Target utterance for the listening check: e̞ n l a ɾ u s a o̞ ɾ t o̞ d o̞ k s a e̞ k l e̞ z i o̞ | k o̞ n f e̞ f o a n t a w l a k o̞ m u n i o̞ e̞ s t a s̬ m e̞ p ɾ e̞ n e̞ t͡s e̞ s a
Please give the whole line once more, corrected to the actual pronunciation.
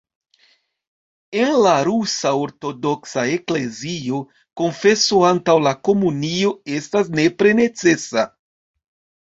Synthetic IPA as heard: e̞ n l a ɾ u s a o̞ ɾ t o̞ d o̞ k s a e̞ k l e̞ z i o̞ | k o̞ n f e̞ s o a n t a w l a k o̞ m u n i o̞ e̞ s t a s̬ n e̞ p ɾ e̞ n e̞ t͡s e̞ s a